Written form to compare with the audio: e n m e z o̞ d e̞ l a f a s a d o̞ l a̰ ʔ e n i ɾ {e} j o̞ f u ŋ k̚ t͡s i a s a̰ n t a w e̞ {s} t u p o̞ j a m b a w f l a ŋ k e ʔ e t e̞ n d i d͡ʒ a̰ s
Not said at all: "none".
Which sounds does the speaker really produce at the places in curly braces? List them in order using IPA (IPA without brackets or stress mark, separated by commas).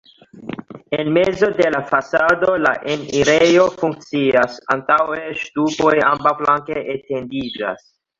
e, ʃ